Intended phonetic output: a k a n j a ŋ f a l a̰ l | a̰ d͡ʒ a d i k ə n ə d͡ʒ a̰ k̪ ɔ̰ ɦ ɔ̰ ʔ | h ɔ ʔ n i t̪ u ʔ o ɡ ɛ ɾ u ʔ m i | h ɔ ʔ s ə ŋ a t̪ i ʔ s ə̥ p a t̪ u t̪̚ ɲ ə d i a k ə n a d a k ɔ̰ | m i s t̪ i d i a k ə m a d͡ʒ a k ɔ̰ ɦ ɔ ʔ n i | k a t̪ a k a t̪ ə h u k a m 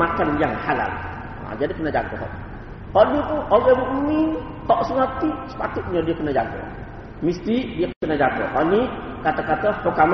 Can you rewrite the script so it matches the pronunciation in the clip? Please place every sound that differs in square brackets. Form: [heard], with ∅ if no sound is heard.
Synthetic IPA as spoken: a k a n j a ŋ [h] a l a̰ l | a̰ d͡ʒ a d i k ə n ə d͡ʒ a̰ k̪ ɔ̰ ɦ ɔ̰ ʔ | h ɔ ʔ n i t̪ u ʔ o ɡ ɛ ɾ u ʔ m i | h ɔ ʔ s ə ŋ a t̪ i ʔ s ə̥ p a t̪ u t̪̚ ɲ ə d i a k ə n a [d͡ʒ] a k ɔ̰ | m i s t̪ i d i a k ə [n] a d͡ʒ a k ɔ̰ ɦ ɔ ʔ n i | k a t̪ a k a t̪ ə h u k a m